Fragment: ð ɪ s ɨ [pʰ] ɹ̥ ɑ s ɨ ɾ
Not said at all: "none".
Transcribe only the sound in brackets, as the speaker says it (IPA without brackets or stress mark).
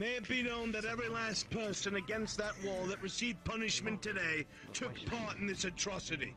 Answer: tʰ